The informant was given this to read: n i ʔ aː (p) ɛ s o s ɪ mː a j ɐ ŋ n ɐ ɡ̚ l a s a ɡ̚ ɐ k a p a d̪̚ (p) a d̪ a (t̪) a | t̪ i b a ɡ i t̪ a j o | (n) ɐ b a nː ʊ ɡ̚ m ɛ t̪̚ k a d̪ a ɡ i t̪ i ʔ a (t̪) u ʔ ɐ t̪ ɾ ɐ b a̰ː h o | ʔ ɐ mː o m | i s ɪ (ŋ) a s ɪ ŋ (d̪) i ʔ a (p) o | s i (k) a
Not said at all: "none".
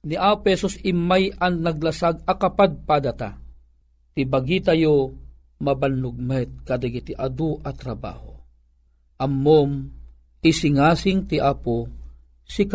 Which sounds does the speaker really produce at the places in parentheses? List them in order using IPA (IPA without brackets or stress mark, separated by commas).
p, p, t̪, m, d̪, ŋ, t̪, p, k